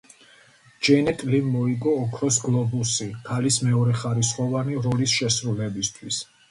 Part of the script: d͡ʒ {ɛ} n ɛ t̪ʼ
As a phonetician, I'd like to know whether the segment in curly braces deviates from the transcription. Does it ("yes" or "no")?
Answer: no